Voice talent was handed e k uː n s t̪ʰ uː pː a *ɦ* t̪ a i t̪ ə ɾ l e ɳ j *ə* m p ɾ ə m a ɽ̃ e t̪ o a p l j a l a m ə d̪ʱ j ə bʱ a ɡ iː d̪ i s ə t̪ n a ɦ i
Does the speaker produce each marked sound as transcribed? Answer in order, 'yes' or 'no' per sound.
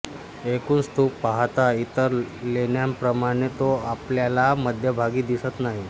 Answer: yes, no

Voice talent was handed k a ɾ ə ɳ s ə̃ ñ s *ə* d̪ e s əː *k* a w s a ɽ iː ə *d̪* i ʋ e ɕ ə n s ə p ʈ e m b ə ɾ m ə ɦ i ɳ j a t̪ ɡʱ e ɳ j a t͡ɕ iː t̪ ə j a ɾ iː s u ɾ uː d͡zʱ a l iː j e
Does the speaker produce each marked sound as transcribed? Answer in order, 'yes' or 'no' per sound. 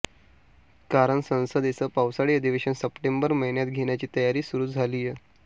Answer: yes, no, yes

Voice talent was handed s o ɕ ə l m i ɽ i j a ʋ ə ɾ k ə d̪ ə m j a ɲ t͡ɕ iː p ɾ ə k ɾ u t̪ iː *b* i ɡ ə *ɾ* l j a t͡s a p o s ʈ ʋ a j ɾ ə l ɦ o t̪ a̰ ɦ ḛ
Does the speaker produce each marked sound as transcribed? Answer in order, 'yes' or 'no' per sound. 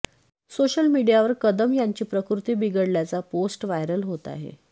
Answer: yes, no

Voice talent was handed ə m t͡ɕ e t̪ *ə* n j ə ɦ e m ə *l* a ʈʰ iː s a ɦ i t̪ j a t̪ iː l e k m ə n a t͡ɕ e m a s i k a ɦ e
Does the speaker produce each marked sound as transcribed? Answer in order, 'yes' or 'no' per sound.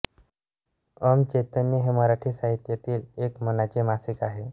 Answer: yes, no

